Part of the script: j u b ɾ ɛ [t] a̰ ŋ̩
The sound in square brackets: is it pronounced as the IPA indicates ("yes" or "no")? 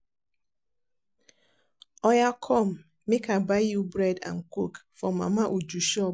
no